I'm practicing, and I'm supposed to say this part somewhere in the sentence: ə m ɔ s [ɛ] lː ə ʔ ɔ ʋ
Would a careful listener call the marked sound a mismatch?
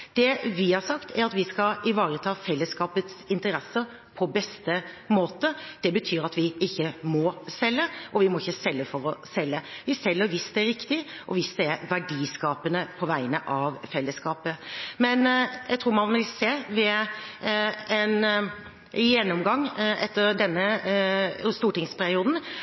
no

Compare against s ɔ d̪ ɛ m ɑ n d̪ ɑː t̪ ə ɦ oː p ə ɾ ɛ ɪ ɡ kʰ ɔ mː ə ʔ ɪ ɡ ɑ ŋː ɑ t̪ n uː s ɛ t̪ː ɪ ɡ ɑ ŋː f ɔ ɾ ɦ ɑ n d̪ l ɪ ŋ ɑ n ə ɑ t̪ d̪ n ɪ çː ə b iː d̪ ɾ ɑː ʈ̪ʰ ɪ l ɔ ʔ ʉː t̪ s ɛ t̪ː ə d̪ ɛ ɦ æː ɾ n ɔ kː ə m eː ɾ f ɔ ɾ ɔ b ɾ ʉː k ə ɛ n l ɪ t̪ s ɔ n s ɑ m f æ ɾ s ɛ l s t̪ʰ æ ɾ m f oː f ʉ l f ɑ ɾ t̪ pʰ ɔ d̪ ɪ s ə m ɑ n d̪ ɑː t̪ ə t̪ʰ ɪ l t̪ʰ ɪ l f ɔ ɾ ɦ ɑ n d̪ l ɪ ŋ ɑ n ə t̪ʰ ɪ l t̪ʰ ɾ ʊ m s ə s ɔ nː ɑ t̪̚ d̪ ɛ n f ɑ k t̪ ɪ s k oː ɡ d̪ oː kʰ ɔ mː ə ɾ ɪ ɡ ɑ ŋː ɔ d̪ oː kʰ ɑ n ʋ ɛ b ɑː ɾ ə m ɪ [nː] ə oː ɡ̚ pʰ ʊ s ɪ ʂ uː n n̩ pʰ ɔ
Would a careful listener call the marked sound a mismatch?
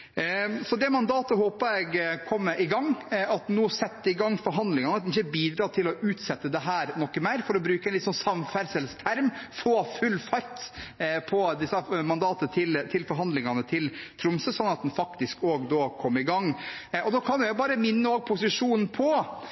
no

